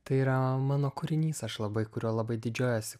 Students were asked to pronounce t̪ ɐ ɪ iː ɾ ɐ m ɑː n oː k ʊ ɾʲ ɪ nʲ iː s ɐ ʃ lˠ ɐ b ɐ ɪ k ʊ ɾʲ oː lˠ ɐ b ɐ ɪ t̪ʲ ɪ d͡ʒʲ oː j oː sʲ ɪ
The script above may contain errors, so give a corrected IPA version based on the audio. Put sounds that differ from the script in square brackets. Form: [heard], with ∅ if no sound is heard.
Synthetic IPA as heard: t̪ ɐ ɪ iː ɾ ɐ m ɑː n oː k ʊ ɾʲ ɪ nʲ iː s ɐ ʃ lˠ ɐ b ɐ ɪ k ʊ ɾʲ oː lˠ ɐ b ɐ ɪ [d̪ʲ] ɪ d͡ʒʲ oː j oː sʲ ɪ